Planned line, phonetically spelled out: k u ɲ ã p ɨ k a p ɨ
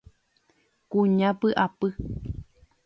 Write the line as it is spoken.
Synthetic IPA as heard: k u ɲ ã p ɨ ʔ a p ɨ